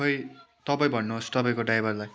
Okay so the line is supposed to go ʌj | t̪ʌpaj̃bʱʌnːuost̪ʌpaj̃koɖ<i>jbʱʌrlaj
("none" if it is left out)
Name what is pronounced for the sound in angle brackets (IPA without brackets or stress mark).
a